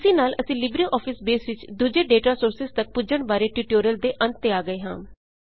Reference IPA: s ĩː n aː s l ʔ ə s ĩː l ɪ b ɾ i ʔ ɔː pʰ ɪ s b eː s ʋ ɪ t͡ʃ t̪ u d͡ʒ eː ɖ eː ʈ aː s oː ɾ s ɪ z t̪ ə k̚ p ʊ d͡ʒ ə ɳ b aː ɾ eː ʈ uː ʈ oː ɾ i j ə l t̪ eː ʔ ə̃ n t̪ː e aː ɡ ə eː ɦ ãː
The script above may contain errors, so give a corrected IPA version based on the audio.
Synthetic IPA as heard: s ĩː n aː l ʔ ə s ĩː l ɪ b ɾ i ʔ ɔː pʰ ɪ s b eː s ʋ ɪ t͡ʃ d̪ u d͡ʒ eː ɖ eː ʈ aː s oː ɾ s ɪ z t̪ ə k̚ p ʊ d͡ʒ ə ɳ b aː ɾ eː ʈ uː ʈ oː ɾ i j ə l d̪ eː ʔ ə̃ n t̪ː e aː ɡ ə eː ɦ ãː